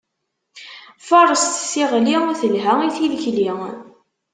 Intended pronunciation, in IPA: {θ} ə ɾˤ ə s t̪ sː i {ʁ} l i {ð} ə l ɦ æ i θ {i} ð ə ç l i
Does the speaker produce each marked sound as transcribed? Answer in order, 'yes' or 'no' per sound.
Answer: no, yes, no, yes

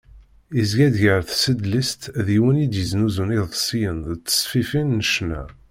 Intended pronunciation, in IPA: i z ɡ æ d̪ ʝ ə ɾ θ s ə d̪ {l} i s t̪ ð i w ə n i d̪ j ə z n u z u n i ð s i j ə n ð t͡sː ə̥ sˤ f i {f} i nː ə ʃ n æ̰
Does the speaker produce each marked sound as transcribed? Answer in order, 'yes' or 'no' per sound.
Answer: yes, yes

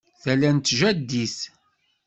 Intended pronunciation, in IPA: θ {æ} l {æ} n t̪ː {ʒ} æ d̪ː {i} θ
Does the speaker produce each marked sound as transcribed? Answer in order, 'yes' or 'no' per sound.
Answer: yes, yes, yes, yes

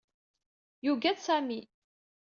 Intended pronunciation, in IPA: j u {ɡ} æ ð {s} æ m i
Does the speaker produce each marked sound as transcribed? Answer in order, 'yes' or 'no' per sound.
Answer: yes, yes

